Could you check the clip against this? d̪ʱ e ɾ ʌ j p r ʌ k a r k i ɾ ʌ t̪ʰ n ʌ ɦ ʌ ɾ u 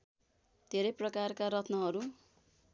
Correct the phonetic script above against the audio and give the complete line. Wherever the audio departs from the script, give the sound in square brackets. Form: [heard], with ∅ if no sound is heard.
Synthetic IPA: d̪ʱ e ɾ ʌ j p r ʌ k a r k [a] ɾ ʌ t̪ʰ n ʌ ɦ ʌ ɾ u